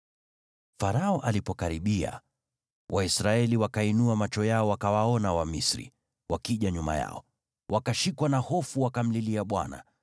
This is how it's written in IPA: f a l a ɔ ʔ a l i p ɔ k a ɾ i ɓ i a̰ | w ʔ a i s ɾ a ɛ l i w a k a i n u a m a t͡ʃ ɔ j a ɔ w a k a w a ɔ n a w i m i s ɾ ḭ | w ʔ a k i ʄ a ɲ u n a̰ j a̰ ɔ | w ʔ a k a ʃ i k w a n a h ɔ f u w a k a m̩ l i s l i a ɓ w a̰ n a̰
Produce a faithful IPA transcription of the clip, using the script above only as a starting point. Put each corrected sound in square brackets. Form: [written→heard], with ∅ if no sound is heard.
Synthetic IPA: f a [l→ɾ] a ɔ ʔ a l i p ɔ k a ɾ i ɓ i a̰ | w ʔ a i s ɾ a ɛ l i w a k a i n u a m a t͡ʃ ɔ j a ɔ w a k a w a ɔ n a w [i→a] m i s ɾ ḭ | w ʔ a k i ʄ a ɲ u [n→m] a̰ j a̰ ɔ | w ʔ a k a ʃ i k w a n a h ɔ f u w a k a m̩ l i [s→∅] l i a ɓ w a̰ n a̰